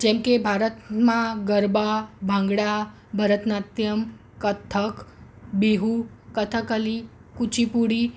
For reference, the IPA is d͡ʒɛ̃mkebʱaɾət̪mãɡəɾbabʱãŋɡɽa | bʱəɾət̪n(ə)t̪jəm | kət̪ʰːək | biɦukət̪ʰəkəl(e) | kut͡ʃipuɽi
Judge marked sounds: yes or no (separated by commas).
no, no